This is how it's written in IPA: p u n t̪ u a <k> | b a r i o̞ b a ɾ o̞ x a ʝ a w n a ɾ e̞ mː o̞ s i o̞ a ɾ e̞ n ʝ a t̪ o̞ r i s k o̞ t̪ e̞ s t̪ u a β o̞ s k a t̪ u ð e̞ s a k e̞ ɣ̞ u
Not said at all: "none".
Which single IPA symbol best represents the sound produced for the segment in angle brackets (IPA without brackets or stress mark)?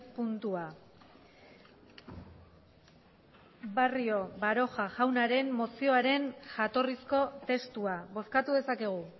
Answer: none